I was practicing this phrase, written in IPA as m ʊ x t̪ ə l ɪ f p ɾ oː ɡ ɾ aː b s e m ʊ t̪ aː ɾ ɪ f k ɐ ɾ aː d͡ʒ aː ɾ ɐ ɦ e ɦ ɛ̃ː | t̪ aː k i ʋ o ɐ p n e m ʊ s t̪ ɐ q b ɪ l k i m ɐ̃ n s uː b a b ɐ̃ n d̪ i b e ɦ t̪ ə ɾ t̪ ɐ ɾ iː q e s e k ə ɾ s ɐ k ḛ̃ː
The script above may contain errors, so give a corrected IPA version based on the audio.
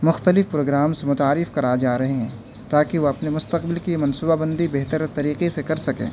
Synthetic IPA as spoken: m ʊ x t̪ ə l ɪ f p ɾ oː ɡ ɾ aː m s e m ʊ t̪ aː ɾ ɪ f k ɐ ɾ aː d͡ʒ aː ɾ ɐ ɦ e ɦ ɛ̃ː | t̪ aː k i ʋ o ɐ p n e m ʊ s t̪ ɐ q b ɪ l k i m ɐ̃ n s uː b a b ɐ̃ n d̪ i b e ɦ t̪ ə ɾ t̪ ɐ ɾ iː q e s e k ɐ ɾ s ɐ k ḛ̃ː